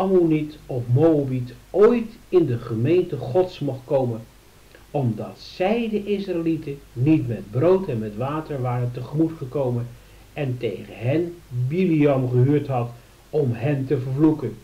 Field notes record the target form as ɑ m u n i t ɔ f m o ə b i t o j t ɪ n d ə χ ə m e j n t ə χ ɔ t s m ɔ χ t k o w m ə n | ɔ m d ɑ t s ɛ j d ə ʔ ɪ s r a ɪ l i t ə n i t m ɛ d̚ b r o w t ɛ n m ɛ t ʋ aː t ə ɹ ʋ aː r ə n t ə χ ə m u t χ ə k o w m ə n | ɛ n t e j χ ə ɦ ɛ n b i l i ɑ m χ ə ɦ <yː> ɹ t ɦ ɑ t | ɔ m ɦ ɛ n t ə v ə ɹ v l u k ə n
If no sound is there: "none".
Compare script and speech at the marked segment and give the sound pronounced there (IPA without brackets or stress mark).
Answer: yː